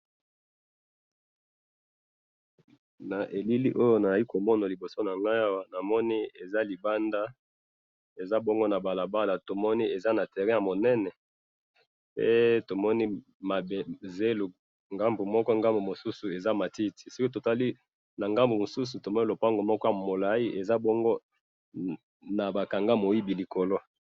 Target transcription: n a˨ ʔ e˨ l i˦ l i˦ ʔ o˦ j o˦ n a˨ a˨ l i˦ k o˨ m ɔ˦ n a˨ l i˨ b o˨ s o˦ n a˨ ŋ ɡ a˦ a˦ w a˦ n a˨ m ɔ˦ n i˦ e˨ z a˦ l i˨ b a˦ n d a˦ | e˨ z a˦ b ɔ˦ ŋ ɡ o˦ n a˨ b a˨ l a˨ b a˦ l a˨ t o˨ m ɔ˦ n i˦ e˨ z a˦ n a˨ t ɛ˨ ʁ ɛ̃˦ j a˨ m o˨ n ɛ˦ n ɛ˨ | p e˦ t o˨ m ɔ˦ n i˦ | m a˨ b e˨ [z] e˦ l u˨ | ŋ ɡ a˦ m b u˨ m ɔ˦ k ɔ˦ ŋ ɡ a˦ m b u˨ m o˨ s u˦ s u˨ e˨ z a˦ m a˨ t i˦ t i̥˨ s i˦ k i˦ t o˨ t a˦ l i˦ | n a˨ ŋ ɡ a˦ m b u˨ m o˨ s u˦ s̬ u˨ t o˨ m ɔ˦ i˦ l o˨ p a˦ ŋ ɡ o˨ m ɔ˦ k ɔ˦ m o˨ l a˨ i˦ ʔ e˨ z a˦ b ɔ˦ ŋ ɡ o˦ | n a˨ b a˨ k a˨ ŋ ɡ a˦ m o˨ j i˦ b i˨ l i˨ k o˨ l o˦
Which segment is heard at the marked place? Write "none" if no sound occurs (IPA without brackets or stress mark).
z